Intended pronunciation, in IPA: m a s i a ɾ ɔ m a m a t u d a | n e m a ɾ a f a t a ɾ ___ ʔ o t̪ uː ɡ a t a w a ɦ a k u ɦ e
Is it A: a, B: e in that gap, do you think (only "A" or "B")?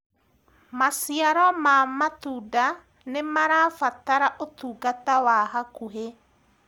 A